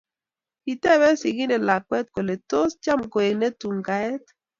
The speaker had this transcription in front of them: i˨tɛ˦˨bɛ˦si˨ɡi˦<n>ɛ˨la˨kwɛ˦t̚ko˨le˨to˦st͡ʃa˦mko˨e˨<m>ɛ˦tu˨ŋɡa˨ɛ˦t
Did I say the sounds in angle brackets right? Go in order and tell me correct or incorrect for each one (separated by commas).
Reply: correct, incorrect